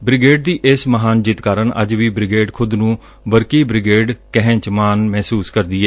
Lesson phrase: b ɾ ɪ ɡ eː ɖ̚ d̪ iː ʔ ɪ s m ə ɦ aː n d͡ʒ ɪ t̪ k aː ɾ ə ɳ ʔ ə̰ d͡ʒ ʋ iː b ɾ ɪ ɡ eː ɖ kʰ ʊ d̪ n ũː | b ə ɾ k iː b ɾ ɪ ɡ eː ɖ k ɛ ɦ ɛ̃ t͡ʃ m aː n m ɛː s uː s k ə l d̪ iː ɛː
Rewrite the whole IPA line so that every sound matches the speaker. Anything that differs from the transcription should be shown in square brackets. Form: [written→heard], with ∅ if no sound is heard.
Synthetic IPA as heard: b ɾ ɪ ɡ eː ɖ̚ d̪ iː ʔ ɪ s m ə ɦ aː n d͡ʒ ɪ t̪ k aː ɾ ə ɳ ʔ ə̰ d͡ʒ ʋ iː b ɾ ɪ ɡ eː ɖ kʰ ʊ d̪ n ũː | b ə ɾ k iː b ɾ ɪ ɡ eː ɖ k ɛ ɦ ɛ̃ t͡ʃ m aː n m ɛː s uː s k ə [l→ɾ] d̪ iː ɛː